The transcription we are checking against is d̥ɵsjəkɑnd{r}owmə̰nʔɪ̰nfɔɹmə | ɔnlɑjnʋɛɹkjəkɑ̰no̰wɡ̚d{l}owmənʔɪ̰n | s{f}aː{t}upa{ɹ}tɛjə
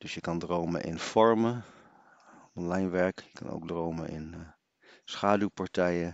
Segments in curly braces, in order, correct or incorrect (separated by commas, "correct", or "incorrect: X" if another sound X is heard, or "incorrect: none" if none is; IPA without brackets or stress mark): correct, incorrect: r, incorrect: χ, incorrect: d, correct